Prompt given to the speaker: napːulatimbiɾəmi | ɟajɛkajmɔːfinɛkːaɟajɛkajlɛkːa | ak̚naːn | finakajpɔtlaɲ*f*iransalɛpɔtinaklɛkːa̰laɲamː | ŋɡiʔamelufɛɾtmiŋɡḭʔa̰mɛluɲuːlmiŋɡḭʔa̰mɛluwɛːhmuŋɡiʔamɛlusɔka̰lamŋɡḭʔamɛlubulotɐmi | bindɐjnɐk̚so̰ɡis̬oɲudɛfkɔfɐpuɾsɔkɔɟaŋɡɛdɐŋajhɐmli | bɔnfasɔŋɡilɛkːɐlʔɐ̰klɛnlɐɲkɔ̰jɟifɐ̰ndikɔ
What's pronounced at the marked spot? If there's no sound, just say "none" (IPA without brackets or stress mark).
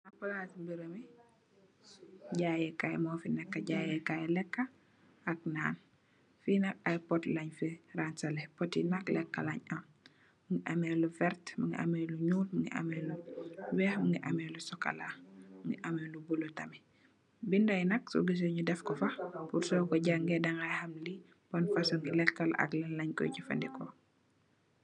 f